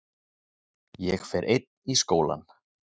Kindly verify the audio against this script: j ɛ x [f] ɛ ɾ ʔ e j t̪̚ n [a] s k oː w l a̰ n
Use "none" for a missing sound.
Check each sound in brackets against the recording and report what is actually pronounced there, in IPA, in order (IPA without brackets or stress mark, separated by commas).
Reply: f, i